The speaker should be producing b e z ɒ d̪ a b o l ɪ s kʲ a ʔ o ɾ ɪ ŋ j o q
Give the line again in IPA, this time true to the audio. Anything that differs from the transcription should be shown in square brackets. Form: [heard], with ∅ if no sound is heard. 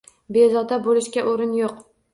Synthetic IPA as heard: b e z ɒ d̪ a b o l ɪ [ʃ] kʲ a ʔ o ɾ ɪ [n] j o q

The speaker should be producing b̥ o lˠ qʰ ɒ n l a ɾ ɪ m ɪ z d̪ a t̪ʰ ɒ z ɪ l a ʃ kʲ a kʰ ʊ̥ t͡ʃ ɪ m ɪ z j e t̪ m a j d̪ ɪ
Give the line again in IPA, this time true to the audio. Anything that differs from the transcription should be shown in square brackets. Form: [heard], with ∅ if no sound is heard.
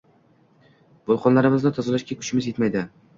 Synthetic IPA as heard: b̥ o lˠ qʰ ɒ n l a ɾ ɪ m ɪ z d̪ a t̪ʰ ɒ z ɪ l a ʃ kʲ a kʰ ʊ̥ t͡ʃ ɪ m ɪ z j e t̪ m a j d̪ ɪ

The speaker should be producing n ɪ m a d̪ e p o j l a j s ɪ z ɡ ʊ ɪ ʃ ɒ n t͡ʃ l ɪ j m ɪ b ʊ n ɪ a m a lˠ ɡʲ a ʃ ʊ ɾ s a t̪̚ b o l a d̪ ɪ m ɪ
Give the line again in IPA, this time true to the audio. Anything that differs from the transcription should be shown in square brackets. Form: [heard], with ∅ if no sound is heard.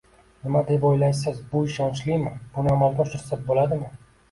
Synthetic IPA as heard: n ɪ m a d̪ e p o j l a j s ɪ z [b] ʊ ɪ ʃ ɒ n t͡ʃ l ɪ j m ɪ b ʊ n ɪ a m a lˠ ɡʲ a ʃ ʊ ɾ s a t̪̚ b o l a d̪ ɪ m ɪ

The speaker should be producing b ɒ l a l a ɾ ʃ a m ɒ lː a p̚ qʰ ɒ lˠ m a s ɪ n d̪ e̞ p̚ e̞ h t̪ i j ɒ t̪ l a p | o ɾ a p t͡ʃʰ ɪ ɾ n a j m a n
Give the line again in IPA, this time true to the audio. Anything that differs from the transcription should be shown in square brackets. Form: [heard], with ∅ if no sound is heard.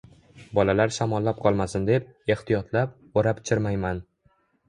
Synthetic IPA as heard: b ɒ l a l a ɾ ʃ a m ɒ lː a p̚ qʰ ɒ lˠ m a s ɪ n d̪ e̞ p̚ e̞ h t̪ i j ɒ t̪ l a p | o ɾ a p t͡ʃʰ ɪ ɾ [m] a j m a n

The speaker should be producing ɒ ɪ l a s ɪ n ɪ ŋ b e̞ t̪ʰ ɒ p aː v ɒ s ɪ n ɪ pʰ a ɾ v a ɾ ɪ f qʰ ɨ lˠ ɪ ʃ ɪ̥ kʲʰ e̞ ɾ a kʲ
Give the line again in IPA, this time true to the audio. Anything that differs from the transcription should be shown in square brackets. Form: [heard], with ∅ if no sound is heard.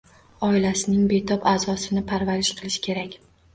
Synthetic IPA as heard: ɒ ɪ l a s ɪ n ɪ ŋ b e̞ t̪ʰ ɒ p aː [z] ɒ s ɪ n ɪ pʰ a ɾ v a ɾ ɪ [ʃ] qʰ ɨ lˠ ɪ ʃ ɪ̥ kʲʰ e̞ ɾ a kʲ

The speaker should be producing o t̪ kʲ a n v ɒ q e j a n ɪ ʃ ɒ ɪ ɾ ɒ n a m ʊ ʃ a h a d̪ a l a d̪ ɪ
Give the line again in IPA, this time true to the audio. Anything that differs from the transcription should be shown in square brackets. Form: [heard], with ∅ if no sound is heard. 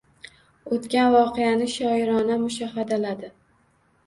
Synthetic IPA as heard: o t̪ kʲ a n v ɒ q e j a n ɪ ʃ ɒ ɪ ɾ ɒ n a m ʊ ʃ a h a d̪ a l a d̪ ɪ

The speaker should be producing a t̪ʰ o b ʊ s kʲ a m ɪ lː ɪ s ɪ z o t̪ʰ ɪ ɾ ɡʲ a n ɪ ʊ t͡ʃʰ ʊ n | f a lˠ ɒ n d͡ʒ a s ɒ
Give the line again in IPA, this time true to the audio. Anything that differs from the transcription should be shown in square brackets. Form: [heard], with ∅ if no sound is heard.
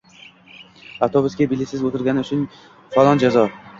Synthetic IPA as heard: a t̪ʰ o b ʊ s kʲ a [b] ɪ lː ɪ s ɪ z o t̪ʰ ɪ ɾ ɡʲ a n ɪ ʊ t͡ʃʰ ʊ n | f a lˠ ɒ n d͡ʒ a [z] ɒ

